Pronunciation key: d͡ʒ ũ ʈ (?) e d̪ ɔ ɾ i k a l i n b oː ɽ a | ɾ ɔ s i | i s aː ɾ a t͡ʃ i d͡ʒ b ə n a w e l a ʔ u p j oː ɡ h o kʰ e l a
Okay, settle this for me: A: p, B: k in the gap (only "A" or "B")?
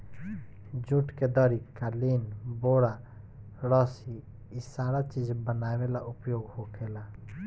B